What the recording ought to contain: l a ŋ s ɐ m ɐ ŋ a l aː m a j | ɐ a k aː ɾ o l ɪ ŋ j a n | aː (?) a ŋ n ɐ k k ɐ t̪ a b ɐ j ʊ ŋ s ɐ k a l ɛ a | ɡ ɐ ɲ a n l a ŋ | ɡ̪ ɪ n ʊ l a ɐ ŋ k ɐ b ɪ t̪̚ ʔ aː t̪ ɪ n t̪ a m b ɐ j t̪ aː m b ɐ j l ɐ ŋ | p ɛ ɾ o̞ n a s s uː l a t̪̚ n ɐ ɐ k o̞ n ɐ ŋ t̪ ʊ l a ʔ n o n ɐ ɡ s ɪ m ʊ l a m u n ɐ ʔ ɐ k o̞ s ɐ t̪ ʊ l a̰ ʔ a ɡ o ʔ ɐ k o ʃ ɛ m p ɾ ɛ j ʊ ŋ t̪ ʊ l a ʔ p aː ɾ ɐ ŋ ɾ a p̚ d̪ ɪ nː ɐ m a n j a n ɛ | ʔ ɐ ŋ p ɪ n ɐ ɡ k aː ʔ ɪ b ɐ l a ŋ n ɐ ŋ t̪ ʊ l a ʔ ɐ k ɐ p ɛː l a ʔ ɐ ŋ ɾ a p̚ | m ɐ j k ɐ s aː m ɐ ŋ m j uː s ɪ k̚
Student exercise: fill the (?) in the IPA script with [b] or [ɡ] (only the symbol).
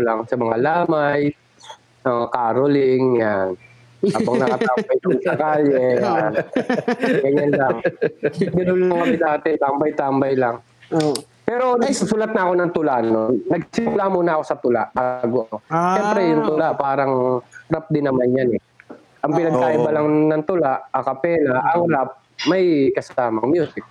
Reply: b